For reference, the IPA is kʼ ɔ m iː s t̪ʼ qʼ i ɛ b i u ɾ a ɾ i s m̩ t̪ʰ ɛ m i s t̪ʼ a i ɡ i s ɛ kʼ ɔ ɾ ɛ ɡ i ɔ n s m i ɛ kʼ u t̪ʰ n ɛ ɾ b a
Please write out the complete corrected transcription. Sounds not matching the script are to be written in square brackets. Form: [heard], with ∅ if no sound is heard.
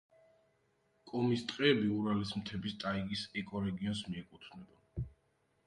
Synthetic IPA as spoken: kʼ ɔ m [i] s t̪ʼ qʼ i ɛ b i u ɾ a [l] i s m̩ t̪ʰ ɛ [b] i s t̪ʼ a i ɡ i s ɛ kʼ ɔ ɾ ɛ ɡ i ɔ n s m i ɛ kʼ u t̪ʰ n ɛ [∅] b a